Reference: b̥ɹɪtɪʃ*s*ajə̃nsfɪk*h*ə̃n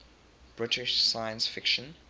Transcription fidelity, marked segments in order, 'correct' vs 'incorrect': correct, incorrect

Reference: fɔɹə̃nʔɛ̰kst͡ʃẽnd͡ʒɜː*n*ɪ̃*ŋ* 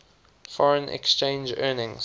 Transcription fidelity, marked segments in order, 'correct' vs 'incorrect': correct, correct

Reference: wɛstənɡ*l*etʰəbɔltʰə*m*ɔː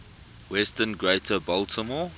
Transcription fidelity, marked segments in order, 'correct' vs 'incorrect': incorrect, correct

